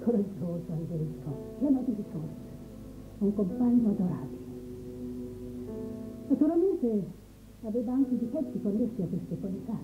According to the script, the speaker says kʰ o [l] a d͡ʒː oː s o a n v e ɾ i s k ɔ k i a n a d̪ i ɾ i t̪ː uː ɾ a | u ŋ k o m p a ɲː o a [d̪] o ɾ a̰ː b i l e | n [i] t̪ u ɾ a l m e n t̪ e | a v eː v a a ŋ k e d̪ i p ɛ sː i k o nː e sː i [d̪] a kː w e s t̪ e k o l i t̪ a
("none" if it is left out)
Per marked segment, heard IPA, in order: ɾ, d̪, a, none

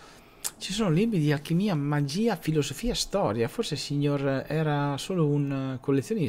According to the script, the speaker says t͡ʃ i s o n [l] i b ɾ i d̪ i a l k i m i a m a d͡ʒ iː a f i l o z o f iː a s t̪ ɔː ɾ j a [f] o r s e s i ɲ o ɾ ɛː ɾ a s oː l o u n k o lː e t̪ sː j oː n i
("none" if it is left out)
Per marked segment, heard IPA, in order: l, f

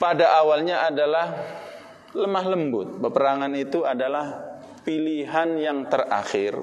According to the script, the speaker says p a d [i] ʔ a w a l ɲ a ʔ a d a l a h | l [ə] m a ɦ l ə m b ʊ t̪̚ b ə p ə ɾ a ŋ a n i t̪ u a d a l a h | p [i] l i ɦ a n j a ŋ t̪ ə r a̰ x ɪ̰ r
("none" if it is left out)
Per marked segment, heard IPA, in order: a, ə, i

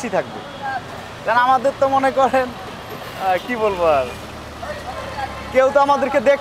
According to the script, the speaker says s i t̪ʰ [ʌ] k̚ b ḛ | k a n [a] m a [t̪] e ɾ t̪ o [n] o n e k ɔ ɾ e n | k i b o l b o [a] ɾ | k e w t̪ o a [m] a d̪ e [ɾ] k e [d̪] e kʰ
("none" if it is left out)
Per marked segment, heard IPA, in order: a, a, d̪, m, a, m, ɾ, d̪

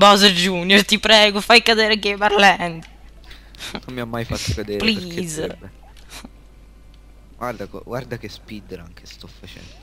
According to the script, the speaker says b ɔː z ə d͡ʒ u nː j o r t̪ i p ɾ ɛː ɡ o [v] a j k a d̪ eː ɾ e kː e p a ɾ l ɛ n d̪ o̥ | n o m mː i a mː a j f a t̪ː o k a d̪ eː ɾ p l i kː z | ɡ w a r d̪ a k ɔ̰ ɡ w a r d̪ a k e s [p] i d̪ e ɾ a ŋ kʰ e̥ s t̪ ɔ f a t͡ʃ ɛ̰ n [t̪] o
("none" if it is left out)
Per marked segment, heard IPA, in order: f, p, d̪

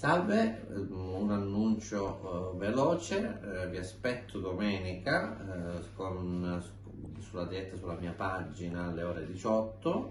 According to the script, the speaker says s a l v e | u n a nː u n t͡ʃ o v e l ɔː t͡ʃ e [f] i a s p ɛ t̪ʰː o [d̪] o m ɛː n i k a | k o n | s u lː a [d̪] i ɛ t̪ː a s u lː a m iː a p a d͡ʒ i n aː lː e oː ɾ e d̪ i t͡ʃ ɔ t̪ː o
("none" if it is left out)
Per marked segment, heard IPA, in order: v, d̪, d̪

